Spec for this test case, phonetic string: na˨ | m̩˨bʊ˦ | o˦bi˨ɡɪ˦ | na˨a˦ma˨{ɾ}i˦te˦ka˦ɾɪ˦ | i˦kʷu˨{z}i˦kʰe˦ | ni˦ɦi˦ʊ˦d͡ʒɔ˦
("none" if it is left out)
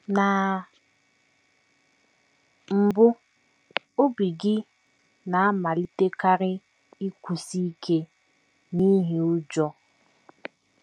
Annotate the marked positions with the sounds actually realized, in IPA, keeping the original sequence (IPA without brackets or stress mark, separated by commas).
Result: l, s